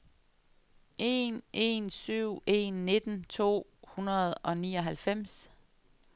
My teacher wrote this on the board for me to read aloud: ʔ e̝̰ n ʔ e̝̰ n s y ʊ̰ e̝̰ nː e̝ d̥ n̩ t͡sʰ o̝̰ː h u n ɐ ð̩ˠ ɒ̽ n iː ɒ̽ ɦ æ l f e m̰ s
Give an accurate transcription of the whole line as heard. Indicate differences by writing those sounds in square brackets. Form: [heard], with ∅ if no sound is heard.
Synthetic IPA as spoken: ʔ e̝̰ n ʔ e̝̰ n s y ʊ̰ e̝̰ nː e̝ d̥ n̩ t͡sʰ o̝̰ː h u n ɐ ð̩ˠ ɒ̽ n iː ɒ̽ ɦ æ l f e m̰ s